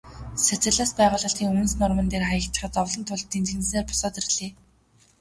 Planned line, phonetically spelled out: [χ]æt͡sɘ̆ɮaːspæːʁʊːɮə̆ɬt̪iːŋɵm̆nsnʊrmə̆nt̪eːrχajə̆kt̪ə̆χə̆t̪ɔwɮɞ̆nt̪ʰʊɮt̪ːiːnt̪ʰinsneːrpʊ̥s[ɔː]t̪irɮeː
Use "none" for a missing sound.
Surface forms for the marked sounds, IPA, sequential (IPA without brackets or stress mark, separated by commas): s, ɔː